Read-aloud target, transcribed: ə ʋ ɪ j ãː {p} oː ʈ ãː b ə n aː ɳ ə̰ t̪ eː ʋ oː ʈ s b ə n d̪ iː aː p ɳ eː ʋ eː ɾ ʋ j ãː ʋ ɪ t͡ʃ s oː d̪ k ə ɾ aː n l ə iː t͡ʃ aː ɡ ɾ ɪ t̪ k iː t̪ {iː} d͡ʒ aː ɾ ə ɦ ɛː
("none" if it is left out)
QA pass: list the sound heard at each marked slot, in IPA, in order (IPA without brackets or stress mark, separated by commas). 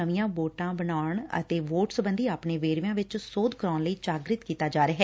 b, aː